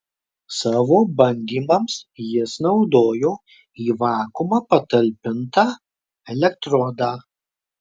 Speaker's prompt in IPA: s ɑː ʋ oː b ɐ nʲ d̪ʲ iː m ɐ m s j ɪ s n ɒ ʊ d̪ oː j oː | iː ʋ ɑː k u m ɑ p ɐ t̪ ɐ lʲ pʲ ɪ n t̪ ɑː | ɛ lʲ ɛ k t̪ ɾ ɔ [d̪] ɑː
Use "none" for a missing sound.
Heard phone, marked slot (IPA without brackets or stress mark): d̪